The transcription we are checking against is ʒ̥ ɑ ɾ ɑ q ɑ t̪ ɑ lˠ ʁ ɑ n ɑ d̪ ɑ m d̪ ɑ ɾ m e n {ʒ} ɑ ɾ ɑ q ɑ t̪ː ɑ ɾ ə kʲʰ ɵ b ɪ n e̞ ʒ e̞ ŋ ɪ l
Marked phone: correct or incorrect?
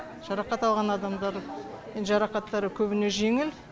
correct